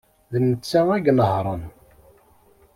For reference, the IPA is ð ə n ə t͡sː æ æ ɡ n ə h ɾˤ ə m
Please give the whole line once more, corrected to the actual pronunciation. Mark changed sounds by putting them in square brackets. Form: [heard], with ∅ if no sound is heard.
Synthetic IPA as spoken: ð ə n ə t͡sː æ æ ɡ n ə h ɾˤ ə [n]

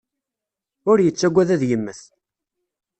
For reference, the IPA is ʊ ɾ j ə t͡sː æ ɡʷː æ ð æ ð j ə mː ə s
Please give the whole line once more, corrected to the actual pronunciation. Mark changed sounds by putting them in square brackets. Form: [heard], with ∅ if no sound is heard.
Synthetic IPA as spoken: ʊ ɾ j ə t͡sː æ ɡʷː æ ð æ ð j ə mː ə [θ]

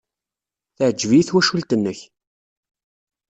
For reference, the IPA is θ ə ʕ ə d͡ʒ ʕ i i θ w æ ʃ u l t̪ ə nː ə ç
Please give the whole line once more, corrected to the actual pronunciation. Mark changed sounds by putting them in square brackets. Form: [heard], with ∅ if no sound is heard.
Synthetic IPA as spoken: θ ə ʕ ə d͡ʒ [v] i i θ w æ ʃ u l t̪ ə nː ə ç

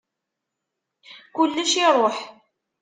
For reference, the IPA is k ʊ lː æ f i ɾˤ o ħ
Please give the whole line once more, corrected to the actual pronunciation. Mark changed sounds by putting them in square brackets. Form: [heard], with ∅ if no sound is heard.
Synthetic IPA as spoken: k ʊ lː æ [ʃ] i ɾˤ o ħ

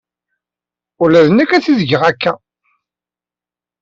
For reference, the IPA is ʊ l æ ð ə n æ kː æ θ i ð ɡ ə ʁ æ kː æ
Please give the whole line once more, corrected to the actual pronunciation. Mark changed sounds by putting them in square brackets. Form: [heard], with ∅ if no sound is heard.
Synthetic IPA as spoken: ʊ l æ ð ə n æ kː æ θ i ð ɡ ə ʁ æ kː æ

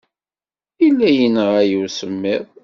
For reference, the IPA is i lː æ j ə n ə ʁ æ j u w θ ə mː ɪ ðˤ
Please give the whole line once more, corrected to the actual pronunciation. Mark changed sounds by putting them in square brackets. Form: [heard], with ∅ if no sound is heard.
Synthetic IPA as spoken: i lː æ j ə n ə ʁ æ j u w [s] ə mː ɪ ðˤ

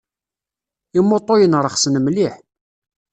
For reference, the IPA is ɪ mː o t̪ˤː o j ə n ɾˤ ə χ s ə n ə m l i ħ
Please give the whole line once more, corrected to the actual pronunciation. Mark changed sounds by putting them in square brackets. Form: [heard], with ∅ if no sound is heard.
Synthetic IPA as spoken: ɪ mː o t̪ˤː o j ə n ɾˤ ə χ s ə n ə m l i ħ

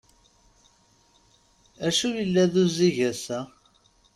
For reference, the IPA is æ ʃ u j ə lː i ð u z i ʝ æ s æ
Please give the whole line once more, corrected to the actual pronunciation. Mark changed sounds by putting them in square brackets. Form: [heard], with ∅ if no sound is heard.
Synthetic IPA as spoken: æ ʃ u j ə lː [æ] ð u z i ʝ æ s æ

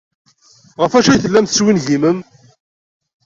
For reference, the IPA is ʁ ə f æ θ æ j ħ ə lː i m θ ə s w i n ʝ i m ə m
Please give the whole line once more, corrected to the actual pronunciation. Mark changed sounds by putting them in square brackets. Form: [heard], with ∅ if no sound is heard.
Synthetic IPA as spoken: ʁ ə f æ [ʃ] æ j [θ] ə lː [æ] m θ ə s w i n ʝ i m ə m

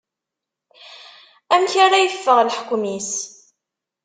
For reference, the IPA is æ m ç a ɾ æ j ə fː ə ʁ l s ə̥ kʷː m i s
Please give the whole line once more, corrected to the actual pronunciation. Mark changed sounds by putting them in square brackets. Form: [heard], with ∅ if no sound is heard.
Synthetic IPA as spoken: æ m ç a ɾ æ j ə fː ə ʁ l [ħ] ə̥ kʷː m i s

